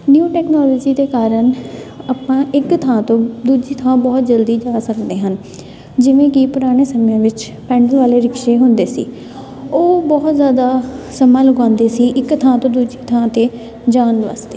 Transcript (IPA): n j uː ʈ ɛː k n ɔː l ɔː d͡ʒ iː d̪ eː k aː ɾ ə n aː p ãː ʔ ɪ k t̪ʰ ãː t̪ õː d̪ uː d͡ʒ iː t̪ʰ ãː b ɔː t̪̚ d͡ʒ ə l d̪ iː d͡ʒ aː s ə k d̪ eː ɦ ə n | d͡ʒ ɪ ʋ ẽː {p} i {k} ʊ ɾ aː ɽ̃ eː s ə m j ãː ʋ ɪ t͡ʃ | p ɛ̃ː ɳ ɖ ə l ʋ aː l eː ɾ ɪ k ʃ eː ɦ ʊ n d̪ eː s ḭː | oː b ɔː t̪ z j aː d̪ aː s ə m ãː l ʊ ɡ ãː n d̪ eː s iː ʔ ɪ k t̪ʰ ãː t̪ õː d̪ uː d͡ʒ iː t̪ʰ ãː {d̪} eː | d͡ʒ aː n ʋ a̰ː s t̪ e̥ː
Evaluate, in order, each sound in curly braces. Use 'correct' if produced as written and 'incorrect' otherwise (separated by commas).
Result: incorrect, incorrect, incorrect